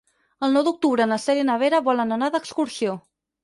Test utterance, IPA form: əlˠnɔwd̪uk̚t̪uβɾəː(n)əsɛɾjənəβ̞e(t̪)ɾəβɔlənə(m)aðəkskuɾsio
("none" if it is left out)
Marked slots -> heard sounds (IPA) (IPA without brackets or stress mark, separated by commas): n, none, n